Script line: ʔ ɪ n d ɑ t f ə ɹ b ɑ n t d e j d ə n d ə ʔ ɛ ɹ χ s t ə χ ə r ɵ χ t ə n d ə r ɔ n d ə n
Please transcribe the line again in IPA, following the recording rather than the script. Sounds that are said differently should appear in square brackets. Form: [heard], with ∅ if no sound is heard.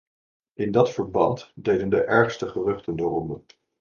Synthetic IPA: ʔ ɪ n d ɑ t f ə ɹ b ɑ n t d e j d ə n d ə ʔ ɛ ɹ χ s t ə χ ə r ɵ χ t ə n d ə r ɔ n d ə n

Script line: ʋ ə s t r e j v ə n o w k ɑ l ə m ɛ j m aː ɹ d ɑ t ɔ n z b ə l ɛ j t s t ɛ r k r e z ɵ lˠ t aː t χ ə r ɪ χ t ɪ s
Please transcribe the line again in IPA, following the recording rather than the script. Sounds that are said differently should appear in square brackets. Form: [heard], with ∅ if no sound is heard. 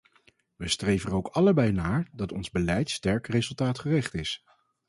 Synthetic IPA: ʋ ə s t r e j v ə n o w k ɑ l ə [b] ɛ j [n] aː ɹ d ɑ t ɔ n z b ə l ɛ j t s t ɛ [ɹ] k r e z ɵ lˠ t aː t χ ə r ɪ χ t ɪ s

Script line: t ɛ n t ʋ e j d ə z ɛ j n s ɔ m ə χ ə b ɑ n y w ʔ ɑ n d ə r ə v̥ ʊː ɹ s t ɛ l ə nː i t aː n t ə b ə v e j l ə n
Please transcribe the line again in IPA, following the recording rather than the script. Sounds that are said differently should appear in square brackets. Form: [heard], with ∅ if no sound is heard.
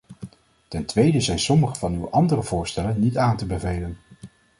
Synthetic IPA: t ɛ n t ʋ e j d ə z ɛ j n s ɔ m ə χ ə [v] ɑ n y w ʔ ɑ n d ə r ə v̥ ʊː ɹ s t ɛ l ə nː i t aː n t ə b ə v e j l ə n

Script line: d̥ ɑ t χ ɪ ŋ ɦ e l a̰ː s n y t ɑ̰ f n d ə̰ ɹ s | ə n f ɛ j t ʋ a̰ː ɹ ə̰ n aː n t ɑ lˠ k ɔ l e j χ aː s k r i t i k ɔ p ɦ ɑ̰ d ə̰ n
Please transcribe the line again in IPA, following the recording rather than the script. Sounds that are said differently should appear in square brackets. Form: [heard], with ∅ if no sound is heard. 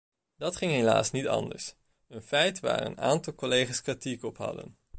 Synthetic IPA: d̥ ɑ t χ ɪ ŋ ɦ e l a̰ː s n [i] t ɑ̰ [∅] n d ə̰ ɹ s | ə n f ɛ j t ʋ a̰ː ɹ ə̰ n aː n t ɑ lˠ k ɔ l e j χ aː s k r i t i k ɔ p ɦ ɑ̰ d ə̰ n

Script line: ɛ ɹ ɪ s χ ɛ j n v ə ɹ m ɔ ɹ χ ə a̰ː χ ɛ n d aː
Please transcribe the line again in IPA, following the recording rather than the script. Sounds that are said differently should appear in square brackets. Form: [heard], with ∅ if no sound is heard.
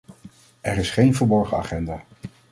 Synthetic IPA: ɛ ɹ ɪ s χ [e] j n v ə ɹ [b] ɔ ɹ χ ə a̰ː χ ɛ n d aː

